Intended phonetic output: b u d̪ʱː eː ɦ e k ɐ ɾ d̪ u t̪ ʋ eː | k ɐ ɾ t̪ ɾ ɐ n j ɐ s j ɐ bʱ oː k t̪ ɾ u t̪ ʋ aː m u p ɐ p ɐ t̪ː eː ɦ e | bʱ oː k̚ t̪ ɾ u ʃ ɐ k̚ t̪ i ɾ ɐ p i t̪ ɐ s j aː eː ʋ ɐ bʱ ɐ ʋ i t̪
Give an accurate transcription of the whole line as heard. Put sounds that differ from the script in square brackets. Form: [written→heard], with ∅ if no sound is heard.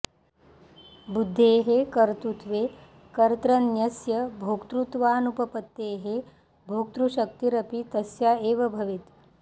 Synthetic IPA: b u d̪ʱː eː ɦ e k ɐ ɾ [d̪→t̪] u t̪ ʋ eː | k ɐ ɾ t̪ ɾ ɐ n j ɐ s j ɐ bʱ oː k t̪ ɾ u t̪ ʋ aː [m→n] u p ɐ p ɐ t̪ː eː ɦ e | bʱ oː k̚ t̪ ɾ u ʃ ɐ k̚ t̪ i ɾ ɐ p i t̪ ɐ s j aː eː ʋ ɐ bʱ ɐ ʋ i t̪